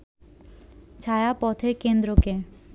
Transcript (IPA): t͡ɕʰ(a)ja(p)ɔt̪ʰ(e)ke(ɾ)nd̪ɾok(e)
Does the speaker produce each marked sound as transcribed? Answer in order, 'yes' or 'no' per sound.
yes, yes, yes, no, yes

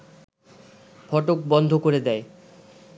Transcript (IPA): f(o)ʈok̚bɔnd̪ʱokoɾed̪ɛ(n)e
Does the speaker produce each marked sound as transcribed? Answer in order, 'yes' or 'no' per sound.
no, no

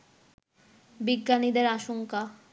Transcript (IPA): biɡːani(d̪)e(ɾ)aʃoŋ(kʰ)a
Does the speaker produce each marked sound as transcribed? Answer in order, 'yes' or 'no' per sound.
yes, yes, no

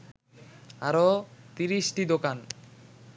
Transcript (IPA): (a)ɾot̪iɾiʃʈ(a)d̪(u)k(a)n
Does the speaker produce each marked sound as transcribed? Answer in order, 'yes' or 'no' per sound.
yes, no, no, yes

